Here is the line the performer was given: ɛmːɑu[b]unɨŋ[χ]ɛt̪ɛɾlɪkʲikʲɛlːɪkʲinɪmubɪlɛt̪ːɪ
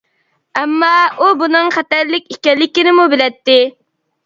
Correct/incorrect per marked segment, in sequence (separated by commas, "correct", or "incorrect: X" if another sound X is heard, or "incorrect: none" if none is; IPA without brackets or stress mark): correct, correct